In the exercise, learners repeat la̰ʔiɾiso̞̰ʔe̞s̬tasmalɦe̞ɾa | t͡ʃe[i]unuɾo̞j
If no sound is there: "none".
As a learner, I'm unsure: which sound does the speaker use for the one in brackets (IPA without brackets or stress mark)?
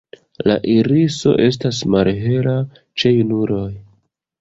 j